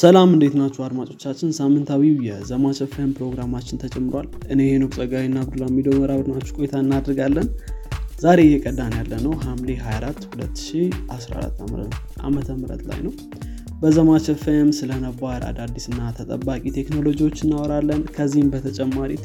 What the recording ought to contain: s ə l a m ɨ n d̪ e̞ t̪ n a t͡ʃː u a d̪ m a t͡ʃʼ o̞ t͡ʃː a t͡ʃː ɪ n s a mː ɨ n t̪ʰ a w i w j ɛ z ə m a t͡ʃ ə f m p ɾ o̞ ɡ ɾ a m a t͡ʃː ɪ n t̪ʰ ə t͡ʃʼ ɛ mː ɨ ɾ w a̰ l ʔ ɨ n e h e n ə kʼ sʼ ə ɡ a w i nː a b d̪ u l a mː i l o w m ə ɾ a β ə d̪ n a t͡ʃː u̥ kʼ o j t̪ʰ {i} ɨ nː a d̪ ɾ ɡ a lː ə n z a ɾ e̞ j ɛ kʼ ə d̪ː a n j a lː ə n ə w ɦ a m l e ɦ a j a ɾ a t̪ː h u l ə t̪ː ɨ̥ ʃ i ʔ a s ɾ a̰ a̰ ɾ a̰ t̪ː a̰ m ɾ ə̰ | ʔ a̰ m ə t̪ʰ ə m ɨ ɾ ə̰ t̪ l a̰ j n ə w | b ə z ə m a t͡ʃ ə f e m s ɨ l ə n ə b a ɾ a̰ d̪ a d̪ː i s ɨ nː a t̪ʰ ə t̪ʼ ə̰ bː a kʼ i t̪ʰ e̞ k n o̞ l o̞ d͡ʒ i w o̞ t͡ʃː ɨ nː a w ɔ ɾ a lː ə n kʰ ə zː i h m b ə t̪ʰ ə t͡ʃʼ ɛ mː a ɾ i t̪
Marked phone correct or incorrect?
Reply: incorrect